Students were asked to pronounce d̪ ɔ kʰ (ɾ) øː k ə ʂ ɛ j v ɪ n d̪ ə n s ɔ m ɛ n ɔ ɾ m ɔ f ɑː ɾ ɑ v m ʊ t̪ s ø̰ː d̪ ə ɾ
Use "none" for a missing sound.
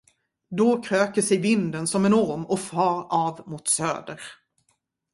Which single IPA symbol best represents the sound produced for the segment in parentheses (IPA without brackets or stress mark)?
ɾ